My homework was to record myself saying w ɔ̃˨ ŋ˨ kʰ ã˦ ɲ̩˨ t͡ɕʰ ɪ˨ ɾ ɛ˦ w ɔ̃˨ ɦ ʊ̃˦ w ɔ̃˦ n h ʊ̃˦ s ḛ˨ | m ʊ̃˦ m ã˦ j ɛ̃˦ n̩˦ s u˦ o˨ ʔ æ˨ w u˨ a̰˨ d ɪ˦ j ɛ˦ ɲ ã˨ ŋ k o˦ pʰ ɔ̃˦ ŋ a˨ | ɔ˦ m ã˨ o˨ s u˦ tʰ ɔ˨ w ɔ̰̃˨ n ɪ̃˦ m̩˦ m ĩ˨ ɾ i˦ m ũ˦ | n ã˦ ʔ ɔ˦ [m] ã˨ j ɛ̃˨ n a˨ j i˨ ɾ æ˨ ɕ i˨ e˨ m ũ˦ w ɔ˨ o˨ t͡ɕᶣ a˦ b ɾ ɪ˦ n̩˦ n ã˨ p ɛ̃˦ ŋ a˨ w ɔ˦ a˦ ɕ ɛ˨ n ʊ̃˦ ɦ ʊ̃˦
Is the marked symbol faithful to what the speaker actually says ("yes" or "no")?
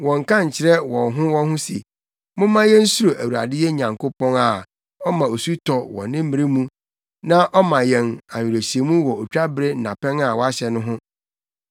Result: yes